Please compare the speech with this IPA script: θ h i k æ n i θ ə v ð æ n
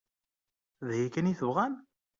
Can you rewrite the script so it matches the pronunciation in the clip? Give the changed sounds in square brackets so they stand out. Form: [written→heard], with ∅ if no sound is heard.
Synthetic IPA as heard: [θ→ð] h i k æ n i θ ə v [ð→ʁ] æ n